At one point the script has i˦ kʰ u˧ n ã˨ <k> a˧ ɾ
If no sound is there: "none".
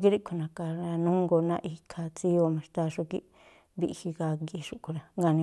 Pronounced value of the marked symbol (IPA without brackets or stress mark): k